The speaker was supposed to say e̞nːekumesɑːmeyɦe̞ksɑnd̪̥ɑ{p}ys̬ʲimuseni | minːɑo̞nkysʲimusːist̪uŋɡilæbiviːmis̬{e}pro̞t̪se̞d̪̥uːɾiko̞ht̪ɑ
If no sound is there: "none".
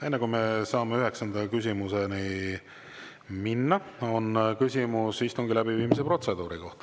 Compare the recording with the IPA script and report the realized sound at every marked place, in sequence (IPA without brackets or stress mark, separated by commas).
k, e